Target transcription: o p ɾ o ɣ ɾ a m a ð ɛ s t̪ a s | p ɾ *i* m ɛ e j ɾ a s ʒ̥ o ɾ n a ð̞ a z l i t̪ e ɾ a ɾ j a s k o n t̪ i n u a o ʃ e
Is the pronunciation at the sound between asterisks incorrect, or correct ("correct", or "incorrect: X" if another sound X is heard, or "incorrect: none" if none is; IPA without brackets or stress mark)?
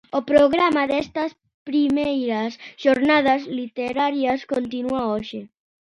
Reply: correct